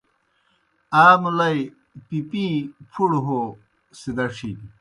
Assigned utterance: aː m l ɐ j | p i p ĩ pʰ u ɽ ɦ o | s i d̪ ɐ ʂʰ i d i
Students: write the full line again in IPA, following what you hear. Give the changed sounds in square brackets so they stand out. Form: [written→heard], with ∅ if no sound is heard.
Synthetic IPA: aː m l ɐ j | p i p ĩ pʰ u ɽ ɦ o | s i d̪ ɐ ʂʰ i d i